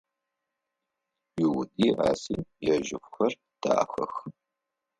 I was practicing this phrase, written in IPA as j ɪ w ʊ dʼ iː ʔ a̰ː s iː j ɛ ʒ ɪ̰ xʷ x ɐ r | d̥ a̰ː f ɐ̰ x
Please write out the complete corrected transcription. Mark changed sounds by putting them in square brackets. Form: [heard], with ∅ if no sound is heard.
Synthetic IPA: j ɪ w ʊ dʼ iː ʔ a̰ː s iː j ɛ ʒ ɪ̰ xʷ x ɐ r | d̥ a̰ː [x] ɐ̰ x